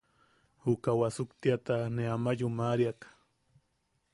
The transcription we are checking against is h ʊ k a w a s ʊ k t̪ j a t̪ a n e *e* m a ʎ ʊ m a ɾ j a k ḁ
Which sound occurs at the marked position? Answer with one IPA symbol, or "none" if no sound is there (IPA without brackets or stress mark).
a